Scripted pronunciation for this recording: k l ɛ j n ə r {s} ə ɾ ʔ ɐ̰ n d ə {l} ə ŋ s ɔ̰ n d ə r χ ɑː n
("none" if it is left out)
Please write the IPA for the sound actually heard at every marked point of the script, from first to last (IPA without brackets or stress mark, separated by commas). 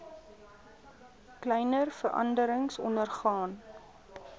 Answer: f, ɾ